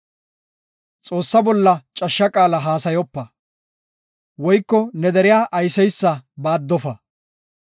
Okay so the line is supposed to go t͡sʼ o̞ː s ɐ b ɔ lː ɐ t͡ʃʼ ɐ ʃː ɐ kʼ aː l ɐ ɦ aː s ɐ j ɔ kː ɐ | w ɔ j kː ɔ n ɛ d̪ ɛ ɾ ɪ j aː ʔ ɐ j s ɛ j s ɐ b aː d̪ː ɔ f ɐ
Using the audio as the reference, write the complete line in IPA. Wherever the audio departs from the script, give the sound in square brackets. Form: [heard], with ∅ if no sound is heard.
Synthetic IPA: t͡sʼ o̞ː [sː] ɐ b ɔ lː ɐ t͡ʃʼ ɐ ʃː ɐ kʼ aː l ɐ ɦ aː s ɐ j ɔ [pː] ɐ | w ɔ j kː ɔ n ɛ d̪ ɛ ɾ ɪ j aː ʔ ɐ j s ɛ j [sː] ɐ b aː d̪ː ɔ f ɐ